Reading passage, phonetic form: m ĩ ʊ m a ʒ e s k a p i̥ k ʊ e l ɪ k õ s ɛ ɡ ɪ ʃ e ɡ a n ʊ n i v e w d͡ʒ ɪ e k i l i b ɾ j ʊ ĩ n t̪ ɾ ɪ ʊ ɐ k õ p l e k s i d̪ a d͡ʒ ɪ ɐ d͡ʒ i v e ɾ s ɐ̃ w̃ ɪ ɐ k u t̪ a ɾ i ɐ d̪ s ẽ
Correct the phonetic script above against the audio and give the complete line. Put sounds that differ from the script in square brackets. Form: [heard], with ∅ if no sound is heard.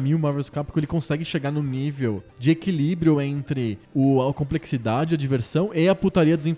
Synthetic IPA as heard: m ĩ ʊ m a [v] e s k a p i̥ k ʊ e l ɪ k õ s ɛ ɡ ɪ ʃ e ɡ a n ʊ n i v e w d͡ʒ ɪ e k i l i b ɾ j ʊ [ẽ] n t̪ ɾ ɪ ʊ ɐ k õ p l e k s i d̪ a d͡ʒ ɪ ɐ d͡ʒ i v e ɾ s ɐ̃ w̃ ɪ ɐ [p] u t̪ a ɾ i ɐ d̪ [z] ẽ